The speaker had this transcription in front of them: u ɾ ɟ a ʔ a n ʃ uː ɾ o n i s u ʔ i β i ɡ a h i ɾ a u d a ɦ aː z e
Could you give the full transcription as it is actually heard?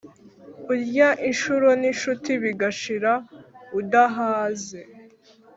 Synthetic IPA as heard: u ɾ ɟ a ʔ i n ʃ u ɾ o n i ʃ u t i β i ɡ a ʃ i ɾ a u d a ɦ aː z e